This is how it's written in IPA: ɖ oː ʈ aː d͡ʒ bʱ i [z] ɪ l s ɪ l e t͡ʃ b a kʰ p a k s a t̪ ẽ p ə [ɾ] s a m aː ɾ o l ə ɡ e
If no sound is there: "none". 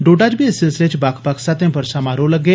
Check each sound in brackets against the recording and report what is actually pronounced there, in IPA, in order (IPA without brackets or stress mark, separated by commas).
s, ɾ